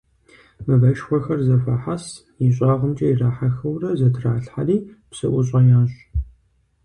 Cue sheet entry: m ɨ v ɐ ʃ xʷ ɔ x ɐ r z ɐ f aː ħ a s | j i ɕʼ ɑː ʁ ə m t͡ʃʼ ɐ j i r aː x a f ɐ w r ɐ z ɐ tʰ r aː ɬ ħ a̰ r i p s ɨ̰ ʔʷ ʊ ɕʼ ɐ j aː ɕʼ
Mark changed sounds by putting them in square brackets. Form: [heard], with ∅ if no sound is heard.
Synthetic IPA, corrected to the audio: m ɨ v ɐ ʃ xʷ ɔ x ɐ r z ɐ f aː ħ a s | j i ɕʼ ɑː ʁ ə m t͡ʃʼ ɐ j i r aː [ħ] a [x] ɐ w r ɐ z ɐ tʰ r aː ɬ ħ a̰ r [iː] p s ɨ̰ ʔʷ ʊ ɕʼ ɐ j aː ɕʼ

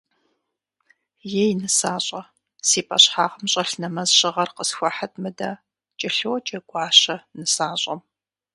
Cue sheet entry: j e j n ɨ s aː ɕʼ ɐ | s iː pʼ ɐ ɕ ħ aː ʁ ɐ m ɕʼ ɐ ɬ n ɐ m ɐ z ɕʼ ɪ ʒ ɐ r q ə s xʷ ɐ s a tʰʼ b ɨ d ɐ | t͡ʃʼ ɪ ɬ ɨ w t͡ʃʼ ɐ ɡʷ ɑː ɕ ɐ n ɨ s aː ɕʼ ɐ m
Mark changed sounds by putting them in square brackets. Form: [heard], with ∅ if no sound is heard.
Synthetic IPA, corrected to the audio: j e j n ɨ s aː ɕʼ ɐ | s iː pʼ ɐ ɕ ħ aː ʁ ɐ m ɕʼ ɐ ɬ n ɐ m ɐ z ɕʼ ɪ [ʁ] ɐ r q ə s xʷ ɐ [ħ] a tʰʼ [m] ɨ d ɐ | t͡ʃʼ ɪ ɬ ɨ w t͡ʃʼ ɐ ɡʷ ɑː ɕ ɐ n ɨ s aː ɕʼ ɐ m

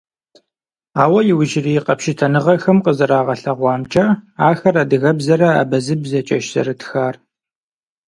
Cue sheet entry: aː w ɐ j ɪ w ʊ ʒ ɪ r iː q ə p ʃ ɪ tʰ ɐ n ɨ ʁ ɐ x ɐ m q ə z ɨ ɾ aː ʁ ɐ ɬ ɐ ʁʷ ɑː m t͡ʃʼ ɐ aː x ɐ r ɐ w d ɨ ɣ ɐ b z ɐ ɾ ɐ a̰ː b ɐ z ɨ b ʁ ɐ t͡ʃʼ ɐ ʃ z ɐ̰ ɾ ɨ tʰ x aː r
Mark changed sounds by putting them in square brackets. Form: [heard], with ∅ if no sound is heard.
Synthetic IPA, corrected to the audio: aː w ɐ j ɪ w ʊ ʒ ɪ r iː q [ɐ] p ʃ ɪ tʰ ɐ n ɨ ʁ ɐ x ɐ m q ə z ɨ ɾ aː ʁ ɐ ɬ ɐ ʁʷ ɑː m t͡ʃʼ ɐ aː x ɐ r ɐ [∅] d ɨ ɣ ɐ b z ɐ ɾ ɐ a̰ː b ɐ z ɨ b [z] ɐ t͡ʃʼ ɐ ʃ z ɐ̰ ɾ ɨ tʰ x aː r

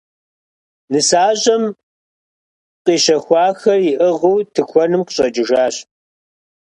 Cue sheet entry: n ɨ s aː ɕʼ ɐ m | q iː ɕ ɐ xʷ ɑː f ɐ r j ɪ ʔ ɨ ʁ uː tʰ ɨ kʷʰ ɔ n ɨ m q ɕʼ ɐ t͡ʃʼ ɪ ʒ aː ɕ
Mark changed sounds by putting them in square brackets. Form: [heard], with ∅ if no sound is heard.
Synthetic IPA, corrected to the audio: n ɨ s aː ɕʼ ɐ m | q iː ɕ ɐ xʷ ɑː [x] ɐ r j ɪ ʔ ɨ ʁ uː tʰ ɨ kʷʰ ɔ n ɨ m q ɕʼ ɐ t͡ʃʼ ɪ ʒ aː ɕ

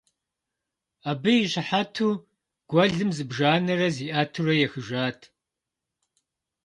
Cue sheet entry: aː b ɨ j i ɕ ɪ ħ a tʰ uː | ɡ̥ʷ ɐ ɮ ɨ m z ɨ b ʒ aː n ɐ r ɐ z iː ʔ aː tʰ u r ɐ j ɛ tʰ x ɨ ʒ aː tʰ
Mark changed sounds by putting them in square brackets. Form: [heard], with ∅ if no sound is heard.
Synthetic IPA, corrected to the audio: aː b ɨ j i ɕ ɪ ħ a tʰ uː | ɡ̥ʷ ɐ ɮ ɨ m z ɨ b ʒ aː n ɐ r ɐ z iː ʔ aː tʰ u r ɐ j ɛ [∅] x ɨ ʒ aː tʰ

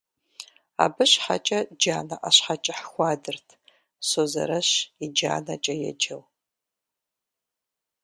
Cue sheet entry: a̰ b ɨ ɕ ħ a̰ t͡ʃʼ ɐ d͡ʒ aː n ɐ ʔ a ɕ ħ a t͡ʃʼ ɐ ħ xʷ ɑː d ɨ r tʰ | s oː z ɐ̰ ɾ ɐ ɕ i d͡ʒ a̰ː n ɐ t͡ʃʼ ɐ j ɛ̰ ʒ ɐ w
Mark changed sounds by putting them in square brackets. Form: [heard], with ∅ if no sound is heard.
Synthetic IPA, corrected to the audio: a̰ b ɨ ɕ ħ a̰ t͡ʃʼ ɐ d͡ʒ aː n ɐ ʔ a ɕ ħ a t͡ʃʼ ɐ ħ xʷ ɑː d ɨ r tʰ | s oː z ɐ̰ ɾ ɐ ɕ i d͡ʒ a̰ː n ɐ t͡ʃʼ ɐ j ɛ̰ [d͡ʒ] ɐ w

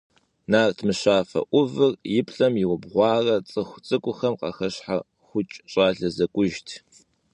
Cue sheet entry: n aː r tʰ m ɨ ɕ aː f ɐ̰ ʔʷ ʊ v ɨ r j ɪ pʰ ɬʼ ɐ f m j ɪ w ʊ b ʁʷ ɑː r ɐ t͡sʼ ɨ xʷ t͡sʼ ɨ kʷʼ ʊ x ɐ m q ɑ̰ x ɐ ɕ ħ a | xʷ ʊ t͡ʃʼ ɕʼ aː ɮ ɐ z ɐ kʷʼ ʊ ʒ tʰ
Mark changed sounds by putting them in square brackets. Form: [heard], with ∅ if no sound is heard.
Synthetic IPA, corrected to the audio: n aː r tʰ m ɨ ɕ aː f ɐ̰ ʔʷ ʊ v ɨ r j ɪ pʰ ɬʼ ɐ [∅] m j ɪ w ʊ b ʁʷ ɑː r ɐ t͡sʼ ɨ xʷ t͡sʼ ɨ kʷʼ ʊ x ɐ m q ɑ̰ x ɐ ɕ ħ a | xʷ ʊ t͡ʃʼ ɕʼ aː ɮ ɐ z ɐ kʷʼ ʊ ʒ tʰ

